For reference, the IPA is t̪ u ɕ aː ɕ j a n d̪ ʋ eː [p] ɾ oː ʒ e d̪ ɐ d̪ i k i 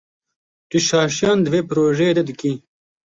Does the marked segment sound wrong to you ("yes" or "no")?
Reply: no